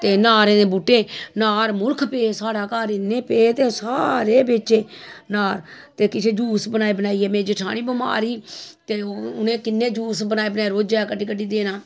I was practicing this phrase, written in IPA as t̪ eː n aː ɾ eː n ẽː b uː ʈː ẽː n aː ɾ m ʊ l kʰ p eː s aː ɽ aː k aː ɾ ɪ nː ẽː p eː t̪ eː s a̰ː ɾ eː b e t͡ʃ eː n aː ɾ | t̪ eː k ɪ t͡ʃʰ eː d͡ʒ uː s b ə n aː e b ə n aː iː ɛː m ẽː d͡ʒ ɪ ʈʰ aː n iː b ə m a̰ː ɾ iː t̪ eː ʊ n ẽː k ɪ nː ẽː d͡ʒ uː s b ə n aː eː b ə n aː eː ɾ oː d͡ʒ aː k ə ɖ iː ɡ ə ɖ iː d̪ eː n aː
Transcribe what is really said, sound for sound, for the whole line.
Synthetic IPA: t̪ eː n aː ɾ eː n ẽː b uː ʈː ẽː n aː ɾ m ʊ l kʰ p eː s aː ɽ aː k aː ɾ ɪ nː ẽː p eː t̪ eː s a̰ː ɾ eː b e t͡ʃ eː n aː ɾ | t̪ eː k ɪ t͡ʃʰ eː d͡ʒ uː s b ə n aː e b ə n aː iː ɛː m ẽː d͡ʒ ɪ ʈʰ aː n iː b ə m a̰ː ɾ iː t̪ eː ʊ n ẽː k ɪ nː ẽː d͡ʒ uː s b ə n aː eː b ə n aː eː ɾ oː d͡ʒ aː k ə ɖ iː k ə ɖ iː d̪ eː n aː